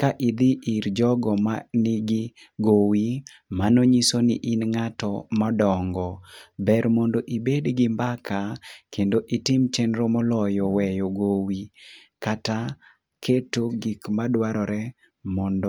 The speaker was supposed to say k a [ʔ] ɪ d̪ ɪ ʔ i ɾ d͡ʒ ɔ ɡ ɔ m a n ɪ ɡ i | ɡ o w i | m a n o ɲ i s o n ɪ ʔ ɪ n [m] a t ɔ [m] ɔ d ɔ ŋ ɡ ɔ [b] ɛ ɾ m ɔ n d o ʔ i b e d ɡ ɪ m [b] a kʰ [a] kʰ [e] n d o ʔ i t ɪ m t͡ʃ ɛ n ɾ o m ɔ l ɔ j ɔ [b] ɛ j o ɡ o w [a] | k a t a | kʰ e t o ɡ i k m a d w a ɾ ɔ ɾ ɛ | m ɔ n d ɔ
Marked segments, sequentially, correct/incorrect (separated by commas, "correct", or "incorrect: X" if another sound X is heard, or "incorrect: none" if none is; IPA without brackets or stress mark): correct, incorrect: ŋ, correct, correct, correct, correct, correct, incorrect: w, incorrect: i